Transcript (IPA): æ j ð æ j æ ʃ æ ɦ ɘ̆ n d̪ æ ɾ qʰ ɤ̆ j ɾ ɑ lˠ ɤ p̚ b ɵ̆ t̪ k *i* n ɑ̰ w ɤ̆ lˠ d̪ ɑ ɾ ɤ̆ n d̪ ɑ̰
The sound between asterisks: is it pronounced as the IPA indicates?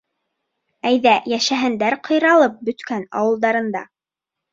no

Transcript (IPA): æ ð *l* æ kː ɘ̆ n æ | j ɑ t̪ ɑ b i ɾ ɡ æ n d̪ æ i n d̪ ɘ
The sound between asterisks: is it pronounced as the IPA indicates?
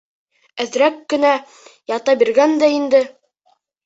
no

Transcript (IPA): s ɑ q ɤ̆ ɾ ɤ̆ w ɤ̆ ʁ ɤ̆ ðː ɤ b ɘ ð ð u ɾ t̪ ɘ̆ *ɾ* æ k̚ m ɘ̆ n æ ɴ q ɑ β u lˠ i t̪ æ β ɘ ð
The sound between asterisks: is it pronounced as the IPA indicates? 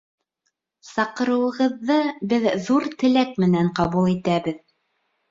no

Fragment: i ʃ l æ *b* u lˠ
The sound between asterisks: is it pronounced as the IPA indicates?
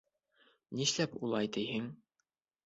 no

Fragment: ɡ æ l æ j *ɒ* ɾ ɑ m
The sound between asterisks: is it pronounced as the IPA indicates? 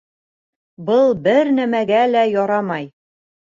yes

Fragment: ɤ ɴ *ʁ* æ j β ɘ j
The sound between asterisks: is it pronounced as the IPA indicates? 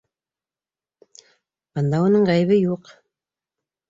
yes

